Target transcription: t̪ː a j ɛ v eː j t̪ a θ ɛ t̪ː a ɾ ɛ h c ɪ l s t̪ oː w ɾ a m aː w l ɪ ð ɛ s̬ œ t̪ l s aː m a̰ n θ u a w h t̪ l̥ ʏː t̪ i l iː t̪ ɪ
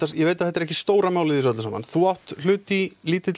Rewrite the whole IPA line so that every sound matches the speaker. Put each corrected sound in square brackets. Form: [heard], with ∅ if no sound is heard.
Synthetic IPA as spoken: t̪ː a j ɛ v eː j t̪ a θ ɛ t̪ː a ɾ ɛ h c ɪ [∅] s t̪ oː w ɾ a m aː w l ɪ ð [i] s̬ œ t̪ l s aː m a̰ n θ u a w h t̪ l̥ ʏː t̪ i l iː t̪ ɪ